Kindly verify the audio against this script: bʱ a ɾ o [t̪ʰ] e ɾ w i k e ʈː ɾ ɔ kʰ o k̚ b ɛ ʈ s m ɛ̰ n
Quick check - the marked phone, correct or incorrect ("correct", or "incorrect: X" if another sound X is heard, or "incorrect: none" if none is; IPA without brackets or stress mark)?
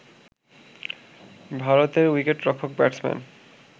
incorrect: t̪